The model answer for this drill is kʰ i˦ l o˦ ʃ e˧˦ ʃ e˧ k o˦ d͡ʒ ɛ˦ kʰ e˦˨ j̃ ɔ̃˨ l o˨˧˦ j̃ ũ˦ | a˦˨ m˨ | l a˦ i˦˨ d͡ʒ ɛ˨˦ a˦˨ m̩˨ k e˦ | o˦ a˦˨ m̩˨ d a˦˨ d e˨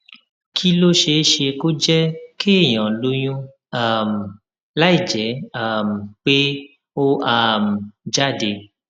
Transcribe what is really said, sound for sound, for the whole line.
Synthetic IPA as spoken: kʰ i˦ l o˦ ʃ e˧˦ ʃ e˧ k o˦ d͡ʒ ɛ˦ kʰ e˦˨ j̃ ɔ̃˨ l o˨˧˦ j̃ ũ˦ | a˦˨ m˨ | l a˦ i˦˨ d͡ʒ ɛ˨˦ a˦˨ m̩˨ k͡p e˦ | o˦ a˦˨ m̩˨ d͡ʒ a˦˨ d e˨